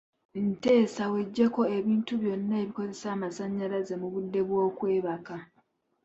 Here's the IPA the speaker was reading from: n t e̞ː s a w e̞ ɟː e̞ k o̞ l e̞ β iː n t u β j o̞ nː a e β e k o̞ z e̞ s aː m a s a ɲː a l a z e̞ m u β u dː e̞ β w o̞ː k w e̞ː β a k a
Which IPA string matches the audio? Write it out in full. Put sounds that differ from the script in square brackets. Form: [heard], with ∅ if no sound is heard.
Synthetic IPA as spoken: n t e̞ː s a w e̞ ɟː e̞ k o̞ [∅] e̞ β iː n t u β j o̞ nː a e β [i] k o̞ z e̞ s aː m a s a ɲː a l a z e̞ m u β u dː e̞ β w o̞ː k w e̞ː β a k a